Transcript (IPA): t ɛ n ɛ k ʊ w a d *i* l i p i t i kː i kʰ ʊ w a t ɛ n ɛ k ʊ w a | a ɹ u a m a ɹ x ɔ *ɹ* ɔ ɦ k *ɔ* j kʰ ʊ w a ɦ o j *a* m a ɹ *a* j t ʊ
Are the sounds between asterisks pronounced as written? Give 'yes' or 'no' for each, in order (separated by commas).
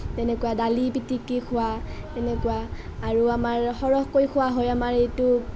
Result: no, yes, no, yes, no